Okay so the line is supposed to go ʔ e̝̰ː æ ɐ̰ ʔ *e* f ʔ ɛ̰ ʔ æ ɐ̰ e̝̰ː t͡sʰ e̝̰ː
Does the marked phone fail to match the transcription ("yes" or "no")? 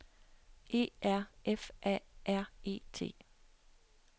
no